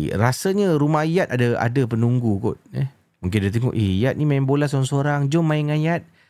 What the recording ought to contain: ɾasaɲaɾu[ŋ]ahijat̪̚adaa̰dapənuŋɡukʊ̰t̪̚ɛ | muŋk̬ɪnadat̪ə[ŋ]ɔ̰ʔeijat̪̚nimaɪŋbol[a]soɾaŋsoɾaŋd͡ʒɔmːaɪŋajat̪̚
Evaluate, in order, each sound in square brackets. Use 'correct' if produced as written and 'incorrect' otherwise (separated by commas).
incorrect, correct, correct